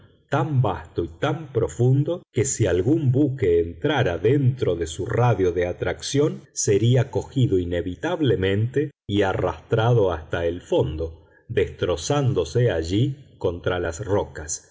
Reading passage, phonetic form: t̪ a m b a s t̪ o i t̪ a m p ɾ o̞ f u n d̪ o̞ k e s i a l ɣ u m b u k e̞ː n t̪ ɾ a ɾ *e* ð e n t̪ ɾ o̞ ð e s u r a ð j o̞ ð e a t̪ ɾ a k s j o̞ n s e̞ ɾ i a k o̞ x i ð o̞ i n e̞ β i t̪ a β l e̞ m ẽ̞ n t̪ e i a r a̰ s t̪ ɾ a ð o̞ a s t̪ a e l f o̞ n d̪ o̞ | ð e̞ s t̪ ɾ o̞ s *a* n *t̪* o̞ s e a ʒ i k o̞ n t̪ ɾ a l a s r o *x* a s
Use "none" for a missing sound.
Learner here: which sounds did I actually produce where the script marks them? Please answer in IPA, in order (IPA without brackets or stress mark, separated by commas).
a, a, d̪, k